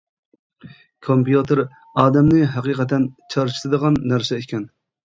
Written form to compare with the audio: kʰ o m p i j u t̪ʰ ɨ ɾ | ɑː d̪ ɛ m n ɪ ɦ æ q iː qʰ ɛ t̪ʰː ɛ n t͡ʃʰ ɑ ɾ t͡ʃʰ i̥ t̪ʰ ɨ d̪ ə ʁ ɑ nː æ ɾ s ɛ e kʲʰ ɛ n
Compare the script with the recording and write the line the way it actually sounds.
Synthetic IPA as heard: kʰ o m p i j u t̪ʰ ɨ ɾ | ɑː d̪ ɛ m n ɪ ɦ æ q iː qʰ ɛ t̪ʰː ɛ n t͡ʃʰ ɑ ɾ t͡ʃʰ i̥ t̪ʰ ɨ d̪ ə ʁ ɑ nː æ ɾ s ɛ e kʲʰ ɛ n